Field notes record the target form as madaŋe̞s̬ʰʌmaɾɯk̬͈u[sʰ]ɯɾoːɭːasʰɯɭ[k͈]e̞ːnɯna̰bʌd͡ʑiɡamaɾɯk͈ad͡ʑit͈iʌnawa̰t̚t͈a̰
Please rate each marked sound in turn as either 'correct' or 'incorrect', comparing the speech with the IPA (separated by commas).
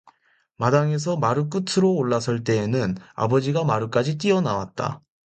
incorrect, incorrect